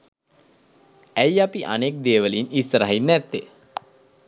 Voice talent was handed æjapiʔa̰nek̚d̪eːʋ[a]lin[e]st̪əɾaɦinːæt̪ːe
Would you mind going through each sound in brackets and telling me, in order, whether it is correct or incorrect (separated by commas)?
incorrect, incorrect